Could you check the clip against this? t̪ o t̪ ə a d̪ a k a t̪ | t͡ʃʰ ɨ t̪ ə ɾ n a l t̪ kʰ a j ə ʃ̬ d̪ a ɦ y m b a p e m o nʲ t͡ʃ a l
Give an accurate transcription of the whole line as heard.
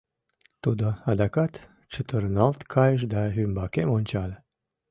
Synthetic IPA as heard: t̪ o d̪ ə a d̪ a k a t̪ | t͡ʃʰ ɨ t̪ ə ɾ n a l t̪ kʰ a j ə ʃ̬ d̪ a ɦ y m b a k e m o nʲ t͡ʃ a l